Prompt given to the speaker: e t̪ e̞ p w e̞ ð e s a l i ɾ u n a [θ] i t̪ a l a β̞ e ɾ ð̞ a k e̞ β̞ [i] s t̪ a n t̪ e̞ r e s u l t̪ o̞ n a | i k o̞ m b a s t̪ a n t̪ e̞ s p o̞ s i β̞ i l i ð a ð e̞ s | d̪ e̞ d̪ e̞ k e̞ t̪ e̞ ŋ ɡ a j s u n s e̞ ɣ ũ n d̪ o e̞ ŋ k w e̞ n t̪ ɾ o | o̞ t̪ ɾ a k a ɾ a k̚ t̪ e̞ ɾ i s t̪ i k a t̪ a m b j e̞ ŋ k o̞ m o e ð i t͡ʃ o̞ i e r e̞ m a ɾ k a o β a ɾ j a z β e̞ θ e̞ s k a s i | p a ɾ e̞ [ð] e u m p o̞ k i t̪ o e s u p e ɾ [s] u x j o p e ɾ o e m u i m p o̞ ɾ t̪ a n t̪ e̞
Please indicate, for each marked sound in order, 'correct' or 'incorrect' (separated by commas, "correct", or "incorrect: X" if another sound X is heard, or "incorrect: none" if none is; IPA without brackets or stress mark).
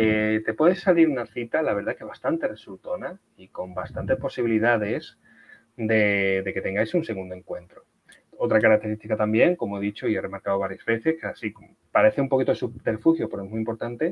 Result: correct, incorrect: a, incorrect: θ, incorrect: f